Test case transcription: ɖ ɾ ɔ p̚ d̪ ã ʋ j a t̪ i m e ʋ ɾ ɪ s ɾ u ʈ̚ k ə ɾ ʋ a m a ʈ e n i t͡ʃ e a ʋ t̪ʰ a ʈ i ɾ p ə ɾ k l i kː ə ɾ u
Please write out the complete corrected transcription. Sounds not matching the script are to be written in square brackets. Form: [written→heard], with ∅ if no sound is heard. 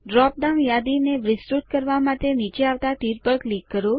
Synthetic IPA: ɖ ɾ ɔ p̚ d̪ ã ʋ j a [t̪→d̪] i [m→n] e ʋ ɾ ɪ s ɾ u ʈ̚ k ə ɾ ʋ a m a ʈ e n i t͡ʃ e a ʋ [t̪ʰ→t̪] a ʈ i ɾ p ə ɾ k l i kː ə ɾ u

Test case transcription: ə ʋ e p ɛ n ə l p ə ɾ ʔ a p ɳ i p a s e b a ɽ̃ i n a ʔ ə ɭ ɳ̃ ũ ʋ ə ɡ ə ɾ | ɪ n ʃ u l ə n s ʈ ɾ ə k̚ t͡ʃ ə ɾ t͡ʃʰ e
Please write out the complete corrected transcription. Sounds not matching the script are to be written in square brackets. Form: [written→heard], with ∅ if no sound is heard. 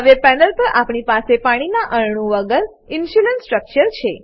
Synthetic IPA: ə ʋ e p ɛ n ə l p ə ɾ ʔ a p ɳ i p a s e [b→p] a ɽ̃ i n a ʔ ə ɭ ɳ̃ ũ ʋ ə ɡ ə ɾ | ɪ n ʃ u l ə n s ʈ ɾ ə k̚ t͡ʃ ə ɾ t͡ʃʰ e

